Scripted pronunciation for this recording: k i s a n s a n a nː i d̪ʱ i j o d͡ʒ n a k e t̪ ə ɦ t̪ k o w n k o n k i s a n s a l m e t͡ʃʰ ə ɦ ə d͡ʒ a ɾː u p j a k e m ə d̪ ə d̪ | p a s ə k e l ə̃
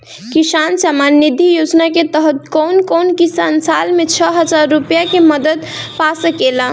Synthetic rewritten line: k i s a n s a m a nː i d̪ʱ i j o d͡ʒ n a k e t̪ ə ɦ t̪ k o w n k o n k i s a n s a l m e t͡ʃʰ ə ɦ ə d͡ʒ a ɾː u p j a k e m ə d̪ ə d̪ | p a s ə k e l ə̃